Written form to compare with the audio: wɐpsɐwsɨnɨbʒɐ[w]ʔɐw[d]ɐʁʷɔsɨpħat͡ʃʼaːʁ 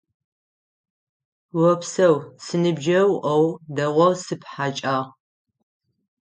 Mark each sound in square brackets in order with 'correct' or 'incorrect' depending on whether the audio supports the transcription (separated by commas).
correct, correct